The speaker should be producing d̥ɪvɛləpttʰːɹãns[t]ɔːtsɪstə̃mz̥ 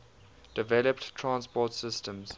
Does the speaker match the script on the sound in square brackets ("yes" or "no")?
no